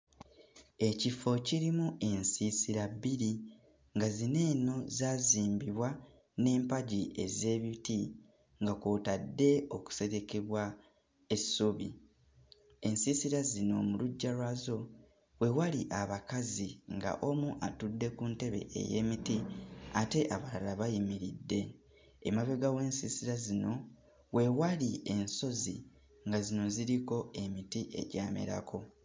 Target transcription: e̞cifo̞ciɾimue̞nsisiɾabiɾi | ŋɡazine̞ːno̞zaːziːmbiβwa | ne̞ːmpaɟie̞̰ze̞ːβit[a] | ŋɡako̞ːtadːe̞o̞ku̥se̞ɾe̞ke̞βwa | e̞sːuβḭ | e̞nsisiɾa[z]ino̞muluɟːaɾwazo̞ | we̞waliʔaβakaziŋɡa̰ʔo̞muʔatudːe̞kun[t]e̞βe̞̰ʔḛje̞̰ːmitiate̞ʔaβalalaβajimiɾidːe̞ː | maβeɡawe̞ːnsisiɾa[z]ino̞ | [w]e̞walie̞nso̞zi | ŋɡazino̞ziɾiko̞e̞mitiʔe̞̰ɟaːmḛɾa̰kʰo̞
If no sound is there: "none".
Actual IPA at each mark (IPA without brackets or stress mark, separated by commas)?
i, z, t, z, w